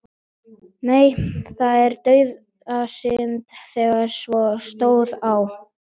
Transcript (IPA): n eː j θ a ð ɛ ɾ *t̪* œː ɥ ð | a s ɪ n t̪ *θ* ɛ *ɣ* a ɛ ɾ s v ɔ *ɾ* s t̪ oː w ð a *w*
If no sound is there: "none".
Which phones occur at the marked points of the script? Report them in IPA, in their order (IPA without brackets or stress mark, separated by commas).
t̪, θ, ɣ, none, w